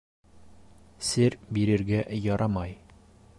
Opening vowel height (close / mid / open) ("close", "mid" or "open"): mid